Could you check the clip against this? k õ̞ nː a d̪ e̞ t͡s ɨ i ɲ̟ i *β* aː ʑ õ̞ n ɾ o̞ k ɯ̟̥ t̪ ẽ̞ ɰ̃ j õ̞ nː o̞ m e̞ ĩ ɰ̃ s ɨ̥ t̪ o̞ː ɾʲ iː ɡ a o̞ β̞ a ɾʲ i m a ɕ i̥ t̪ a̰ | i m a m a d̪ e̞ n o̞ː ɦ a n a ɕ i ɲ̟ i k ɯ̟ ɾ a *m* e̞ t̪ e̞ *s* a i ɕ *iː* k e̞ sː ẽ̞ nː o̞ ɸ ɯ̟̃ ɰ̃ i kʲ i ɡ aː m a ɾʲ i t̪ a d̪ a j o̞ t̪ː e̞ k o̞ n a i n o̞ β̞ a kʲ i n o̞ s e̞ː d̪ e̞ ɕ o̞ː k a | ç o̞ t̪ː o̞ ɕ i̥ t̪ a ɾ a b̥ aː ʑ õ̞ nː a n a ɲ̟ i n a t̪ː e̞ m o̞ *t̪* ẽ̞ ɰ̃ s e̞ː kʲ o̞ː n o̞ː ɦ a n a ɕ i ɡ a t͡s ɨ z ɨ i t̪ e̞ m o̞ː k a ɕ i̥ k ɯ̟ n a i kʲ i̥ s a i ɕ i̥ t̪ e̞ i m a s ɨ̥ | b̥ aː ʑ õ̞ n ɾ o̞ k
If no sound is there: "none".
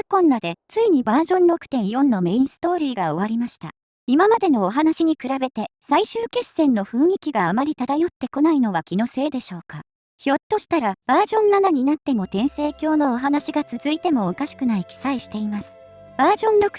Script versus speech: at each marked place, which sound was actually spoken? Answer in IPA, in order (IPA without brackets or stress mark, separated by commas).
b, b, s, ɨː, t̪